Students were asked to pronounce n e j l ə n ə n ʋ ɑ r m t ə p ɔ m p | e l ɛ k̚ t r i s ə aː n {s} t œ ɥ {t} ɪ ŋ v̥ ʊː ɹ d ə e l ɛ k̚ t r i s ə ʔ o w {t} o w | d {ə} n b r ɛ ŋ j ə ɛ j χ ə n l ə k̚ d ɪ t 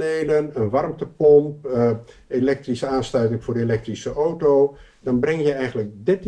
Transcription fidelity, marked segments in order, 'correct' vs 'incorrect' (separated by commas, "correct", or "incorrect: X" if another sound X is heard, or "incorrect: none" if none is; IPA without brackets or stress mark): correct, correct, correct, incorrect: ɑ